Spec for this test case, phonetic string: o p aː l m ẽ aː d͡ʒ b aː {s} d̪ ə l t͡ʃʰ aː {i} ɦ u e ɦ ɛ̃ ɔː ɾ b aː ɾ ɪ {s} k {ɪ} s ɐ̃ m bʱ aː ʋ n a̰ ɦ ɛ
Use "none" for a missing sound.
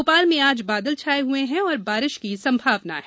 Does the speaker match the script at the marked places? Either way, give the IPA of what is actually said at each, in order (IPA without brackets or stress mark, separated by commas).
none, e, ʃ, i